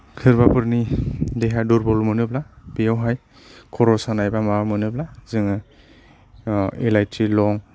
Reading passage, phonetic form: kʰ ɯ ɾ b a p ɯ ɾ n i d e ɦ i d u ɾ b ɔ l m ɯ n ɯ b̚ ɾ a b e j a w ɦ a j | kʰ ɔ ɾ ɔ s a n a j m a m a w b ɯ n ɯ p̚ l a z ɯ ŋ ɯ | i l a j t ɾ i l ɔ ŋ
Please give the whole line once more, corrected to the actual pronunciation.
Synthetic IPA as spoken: kʰ ɯ ɾ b a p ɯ ɾ n i d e ɦ a d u ɾ b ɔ l m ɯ n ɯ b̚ l a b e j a w ɦ a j | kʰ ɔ ɾ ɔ s a n a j b a m a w m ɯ n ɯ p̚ l a z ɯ ŋ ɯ | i l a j t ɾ i l ɔ ŋ